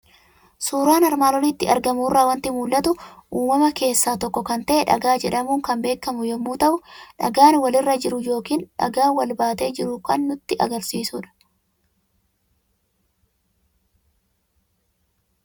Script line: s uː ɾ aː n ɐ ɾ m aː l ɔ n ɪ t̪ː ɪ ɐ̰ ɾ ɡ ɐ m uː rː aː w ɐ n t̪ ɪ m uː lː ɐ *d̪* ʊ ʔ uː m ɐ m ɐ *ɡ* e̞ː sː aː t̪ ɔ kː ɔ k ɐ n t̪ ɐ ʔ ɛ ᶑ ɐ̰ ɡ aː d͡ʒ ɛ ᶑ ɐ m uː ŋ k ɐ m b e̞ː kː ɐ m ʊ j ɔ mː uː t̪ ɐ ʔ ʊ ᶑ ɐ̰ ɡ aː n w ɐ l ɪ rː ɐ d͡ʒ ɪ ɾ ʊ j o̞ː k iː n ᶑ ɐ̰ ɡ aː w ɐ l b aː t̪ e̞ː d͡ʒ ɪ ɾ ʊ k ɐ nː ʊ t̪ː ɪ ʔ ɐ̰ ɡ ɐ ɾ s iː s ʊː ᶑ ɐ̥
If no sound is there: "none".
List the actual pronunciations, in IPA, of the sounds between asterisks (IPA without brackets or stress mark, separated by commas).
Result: t̪, k